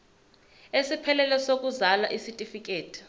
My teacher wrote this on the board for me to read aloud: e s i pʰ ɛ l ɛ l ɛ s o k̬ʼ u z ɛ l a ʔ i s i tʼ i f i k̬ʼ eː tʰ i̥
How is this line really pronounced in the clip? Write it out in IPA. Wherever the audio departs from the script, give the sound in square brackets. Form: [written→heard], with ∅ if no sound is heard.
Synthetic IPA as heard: e s i pʰ ɛ l ɛ l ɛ s o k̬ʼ u z [ɛ→a] l a ʔ i s i tʼ i f i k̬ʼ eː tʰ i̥